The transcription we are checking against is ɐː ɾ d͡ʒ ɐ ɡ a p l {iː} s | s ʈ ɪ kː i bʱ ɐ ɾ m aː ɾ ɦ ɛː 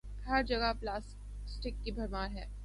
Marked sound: incorrect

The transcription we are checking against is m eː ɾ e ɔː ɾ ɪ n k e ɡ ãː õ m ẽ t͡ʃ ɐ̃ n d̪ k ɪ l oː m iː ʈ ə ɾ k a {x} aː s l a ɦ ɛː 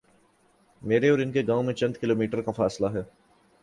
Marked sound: incorrect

